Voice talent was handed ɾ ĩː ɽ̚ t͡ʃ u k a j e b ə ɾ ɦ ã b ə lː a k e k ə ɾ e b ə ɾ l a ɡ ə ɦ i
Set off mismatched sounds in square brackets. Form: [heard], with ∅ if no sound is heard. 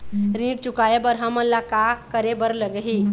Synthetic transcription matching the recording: ɾ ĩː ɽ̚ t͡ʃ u k a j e b ə ɾ ɦ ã [m] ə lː a k [a] k ə ɾ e b ə ɾ l [ə] ɡ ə ɦ i